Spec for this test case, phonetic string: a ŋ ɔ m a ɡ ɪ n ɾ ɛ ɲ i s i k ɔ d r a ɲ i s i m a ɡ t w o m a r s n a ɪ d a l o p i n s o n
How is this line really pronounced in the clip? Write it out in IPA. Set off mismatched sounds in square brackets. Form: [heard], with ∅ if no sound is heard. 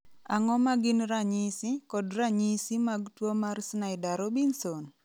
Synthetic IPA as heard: a ŋ ɔ m a ɡ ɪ n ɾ [a] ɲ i s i k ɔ d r a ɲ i s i m a ɡ t w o m a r s n a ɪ d a [ɾ] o [b] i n s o n